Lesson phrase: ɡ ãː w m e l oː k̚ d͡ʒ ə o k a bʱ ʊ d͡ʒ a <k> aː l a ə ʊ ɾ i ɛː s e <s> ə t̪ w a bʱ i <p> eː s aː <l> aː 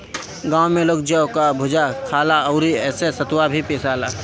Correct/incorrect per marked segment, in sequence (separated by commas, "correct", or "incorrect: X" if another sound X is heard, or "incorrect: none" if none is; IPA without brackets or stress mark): incorrect: kʰ, correct, correct, correct